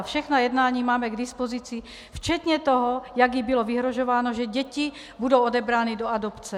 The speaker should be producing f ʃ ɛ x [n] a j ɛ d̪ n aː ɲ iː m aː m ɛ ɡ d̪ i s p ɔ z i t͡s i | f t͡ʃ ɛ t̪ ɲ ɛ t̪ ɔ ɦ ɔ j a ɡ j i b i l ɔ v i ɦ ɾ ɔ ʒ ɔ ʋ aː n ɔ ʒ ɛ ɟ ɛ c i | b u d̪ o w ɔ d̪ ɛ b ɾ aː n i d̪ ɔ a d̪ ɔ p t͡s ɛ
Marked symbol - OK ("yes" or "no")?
yes